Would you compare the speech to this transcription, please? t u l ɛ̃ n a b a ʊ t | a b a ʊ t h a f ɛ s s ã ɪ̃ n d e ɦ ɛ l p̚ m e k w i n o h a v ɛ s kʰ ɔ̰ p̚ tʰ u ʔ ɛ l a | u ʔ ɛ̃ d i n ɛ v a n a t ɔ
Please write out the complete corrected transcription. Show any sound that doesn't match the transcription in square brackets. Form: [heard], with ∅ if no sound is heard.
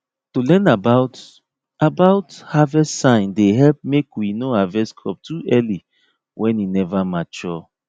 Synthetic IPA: t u l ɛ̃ n a b a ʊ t | a b a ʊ t h a [v] ɛ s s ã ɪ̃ n d e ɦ ɛ l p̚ m e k w i n o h a v ɛ s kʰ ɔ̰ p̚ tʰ u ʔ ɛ l [i] | [w] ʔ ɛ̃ [n] i n ɛ v a [m] a [t͡ʃ] ɔ

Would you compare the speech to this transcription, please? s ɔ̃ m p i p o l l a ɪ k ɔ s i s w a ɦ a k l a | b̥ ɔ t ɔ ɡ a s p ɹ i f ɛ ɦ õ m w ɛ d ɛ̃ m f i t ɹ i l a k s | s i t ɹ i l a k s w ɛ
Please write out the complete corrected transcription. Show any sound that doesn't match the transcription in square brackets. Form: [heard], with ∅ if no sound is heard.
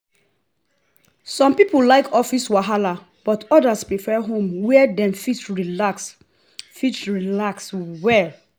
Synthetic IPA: s ɔ̃ m p i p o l l a ɪ k ɔ [f] i s w a ɦ a [∅] l a | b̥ ɔ t ɔ [d] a s p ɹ i f ɛ ɦ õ m w ɛ d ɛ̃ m f i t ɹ i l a k s | [f] i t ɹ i l a k s w ɛ

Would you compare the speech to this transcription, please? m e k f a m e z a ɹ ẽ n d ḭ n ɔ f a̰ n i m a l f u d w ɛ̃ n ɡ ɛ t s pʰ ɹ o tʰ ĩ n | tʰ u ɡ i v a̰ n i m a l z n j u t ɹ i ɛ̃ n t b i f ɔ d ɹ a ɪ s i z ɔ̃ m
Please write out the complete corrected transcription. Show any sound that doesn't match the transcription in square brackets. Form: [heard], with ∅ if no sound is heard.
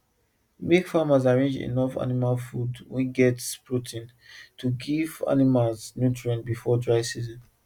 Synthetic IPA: m e k f a m [a] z a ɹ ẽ n [d͡ʒ] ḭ n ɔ f a̰ n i m a l f u d w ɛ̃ n ɡ ɛ t s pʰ ɹ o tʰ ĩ n | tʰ u ɡ i v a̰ n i m a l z n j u t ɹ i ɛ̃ n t b i f ɔ d ɹ a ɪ s i z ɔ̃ [n]

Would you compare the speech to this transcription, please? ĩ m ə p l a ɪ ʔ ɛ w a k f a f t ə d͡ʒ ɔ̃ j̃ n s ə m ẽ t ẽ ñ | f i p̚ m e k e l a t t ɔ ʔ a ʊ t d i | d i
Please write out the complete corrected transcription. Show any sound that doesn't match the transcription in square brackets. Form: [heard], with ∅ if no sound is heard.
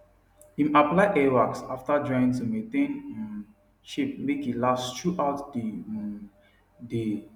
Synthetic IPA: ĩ m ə p l a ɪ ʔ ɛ w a k [s] a f t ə d͡ʒ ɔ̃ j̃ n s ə m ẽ t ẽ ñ | [ʃ] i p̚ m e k [i] l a [s] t [u] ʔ a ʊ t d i | d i

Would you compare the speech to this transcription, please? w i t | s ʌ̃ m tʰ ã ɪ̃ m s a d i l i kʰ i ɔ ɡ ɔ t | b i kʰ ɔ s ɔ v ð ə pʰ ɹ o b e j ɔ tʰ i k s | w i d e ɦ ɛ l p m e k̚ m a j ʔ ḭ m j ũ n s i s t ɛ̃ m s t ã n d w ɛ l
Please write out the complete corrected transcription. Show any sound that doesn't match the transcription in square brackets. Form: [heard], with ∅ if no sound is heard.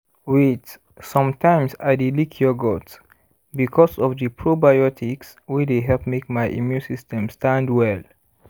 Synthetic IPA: w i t | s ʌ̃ m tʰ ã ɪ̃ m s a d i l i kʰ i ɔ ɡ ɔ t | b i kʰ ɔ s ɔ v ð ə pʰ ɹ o b [a] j ɔ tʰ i k s | w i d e ɦ ɛ l p m e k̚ m a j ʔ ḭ m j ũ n s i s t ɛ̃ m s t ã n d w ɛ l

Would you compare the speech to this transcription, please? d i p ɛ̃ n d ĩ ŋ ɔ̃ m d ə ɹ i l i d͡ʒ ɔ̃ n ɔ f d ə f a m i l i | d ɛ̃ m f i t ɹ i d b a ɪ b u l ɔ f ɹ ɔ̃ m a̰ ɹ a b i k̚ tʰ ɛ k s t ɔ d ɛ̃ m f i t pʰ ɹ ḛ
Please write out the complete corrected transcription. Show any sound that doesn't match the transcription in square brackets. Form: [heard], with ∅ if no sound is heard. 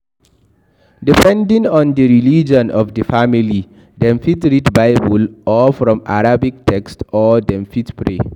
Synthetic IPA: d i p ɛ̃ n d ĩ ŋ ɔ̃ [n] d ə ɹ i l i d͡ʒ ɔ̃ n ɔ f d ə f a m i l i | d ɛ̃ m f i t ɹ i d b a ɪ b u l ɔ f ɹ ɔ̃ m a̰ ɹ a b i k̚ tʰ ɛ k s t ɔ d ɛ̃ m f i t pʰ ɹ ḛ

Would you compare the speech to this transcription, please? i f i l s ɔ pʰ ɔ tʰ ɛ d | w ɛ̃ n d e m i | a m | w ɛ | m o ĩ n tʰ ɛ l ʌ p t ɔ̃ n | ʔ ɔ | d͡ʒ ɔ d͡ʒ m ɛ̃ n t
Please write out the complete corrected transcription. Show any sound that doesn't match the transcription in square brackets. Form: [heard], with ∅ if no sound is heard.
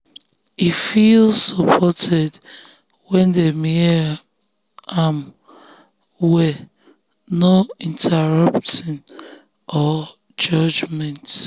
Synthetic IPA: i f i l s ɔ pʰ ɔ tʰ ɛ d | w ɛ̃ n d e m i | a m | w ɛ | [n] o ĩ n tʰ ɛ [ɹ] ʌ p t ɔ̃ n | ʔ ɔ | d͡ʒ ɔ d͡ʒ m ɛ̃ n t

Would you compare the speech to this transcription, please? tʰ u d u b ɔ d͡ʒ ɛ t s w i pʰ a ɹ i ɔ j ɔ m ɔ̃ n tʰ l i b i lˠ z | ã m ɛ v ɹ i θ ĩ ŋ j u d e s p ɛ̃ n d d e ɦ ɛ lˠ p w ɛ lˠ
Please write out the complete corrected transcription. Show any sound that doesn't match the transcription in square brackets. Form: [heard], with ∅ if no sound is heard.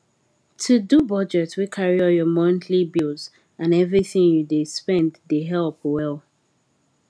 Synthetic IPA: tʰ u d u b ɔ d͡ʒ ɛ t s w i [kʰ] a ɹ i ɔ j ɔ m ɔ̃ n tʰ l i b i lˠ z | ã [n] ɛ v ɹ i θ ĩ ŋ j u d e s p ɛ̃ n d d e ɦ ɛ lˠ p w ɛ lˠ

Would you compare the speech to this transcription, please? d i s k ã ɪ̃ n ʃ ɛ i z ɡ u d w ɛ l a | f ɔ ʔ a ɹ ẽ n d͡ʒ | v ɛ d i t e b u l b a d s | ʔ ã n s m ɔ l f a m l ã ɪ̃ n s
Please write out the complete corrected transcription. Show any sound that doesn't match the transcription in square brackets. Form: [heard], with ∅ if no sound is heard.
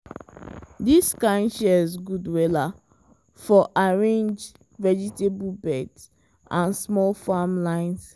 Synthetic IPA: d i s k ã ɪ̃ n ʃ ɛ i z ɡ u d w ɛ l a | f ɔ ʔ a ɹ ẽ n d͡ʒ | v ɛ [d͡ʒ] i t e b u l b [ɛ] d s | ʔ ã n s m ɔ l f a m l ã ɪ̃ n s

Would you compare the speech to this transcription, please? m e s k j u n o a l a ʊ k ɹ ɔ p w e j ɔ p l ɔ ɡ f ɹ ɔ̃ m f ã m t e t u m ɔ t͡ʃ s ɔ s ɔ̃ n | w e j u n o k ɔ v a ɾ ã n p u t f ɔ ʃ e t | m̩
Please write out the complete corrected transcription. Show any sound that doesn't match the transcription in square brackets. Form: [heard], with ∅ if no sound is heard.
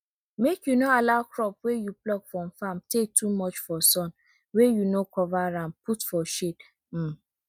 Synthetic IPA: m e [∅] k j u n o a l a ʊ k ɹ ɔ p w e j [u] p l ɔ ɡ f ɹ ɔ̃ m f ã m t e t u m ɔ t͡ʃ [f] ɔ s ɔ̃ n | w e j u n o k ɔ v a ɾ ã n p u t f ɔ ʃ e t | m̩

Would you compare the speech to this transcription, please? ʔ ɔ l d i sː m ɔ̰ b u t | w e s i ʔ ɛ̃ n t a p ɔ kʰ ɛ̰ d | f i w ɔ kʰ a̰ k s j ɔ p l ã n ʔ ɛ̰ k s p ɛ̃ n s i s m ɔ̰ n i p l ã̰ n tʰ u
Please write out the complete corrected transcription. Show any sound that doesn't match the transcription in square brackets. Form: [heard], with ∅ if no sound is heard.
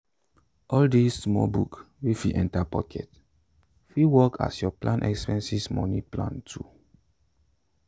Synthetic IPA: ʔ ɔ l d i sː m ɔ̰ b u [k] | w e [f] i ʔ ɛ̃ n t a p ɔ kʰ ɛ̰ [t] | f i w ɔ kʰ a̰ [∅] s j ɔ p l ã n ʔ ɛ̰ k s p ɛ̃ n s i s m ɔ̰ n i p l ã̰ n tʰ u

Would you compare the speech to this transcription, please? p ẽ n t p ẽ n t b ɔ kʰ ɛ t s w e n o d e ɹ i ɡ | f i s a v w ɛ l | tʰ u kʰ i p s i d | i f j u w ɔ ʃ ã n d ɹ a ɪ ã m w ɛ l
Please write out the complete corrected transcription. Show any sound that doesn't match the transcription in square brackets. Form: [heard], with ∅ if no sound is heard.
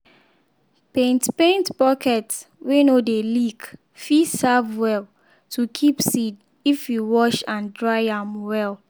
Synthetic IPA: p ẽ n t p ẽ n t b ɔ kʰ ɛ t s w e n o d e [l] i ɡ | f i s a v w ɛ l | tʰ u kʰ i p s i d | i f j u w ɔ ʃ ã n d ɹ a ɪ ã m w ɛ l

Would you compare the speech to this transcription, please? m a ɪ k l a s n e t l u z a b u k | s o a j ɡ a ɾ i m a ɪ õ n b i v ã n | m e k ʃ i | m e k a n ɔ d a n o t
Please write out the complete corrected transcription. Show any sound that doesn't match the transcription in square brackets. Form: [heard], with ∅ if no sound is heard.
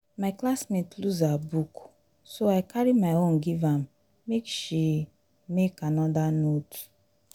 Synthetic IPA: m a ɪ k l a s [m] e t l u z a b u k | s o a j [k] a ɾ i m a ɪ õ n [ɡ] i v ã [m] | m e k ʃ i | m e k a n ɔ d a n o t

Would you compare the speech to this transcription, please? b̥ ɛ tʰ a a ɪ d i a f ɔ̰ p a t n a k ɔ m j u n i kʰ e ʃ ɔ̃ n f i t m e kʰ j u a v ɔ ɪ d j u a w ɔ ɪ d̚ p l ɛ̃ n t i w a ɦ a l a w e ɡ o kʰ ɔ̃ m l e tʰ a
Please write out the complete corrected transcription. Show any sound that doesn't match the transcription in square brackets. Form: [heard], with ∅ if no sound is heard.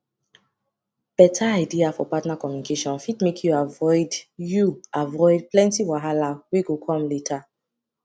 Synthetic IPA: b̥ ɛ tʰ a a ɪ d i a f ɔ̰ p a t n a k ɔ m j u n i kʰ e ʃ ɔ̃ n f i t m e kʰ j u a v ɔ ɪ d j u a [v] ɔ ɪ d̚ p l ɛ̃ n t i w a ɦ a l a w e ɡ o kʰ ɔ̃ m l e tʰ a

